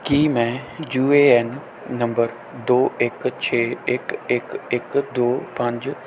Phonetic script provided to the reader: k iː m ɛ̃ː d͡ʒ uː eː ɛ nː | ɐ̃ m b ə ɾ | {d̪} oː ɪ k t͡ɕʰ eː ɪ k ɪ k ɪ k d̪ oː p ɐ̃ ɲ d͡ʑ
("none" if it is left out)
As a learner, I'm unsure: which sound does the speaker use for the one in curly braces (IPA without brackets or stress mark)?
d̪